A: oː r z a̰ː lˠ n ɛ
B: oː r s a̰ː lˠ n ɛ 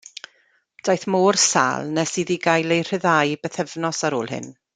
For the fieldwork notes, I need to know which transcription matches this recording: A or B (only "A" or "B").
B